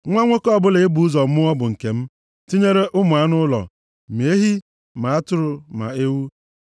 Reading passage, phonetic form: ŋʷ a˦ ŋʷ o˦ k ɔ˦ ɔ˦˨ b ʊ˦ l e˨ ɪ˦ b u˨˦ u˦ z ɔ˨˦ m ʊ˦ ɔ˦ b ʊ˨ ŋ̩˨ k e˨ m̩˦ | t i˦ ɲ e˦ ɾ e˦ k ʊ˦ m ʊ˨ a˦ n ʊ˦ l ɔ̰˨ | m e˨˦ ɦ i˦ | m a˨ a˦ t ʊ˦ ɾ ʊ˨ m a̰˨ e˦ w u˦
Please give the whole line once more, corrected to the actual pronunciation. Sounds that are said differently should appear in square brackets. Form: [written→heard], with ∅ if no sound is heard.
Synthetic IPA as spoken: ŋʷ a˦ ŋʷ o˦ k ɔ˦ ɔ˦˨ b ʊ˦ l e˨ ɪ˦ b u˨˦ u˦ z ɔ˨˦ m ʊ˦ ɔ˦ b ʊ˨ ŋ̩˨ k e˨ m̩˦ | t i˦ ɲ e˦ ɾ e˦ [k→ʔ] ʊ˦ m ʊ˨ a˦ n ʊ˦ l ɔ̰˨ | m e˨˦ ɦ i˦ | m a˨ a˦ t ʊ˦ ɾ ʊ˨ m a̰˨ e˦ w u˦

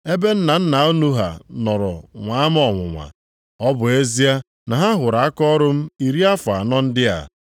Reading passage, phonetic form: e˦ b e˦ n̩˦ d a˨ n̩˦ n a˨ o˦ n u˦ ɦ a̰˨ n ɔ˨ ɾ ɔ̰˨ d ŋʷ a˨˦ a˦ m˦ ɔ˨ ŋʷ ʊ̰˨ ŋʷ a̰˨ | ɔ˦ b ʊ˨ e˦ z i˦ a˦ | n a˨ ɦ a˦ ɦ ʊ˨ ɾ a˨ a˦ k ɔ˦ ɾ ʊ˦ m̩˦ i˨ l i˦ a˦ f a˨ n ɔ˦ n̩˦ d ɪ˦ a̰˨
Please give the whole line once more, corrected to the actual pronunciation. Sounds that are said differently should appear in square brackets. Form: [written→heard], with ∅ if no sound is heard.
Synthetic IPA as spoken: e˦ b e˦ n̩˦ [d→n] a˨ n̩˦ n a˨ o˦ n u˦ ɦ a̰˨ n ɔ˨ ɾ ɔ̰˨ [d→∅] ŋʷ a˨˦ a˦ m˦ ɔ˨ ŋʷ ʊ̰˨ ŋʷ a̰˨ | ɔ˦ b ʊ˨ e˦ z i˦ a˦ | n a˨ ɦ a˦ ɦ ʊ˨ ɾ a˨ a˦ k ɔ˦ ɾ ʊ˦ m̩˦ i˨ [l→ɾ] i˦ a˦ f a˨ n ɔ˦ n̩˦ d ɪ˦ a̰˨

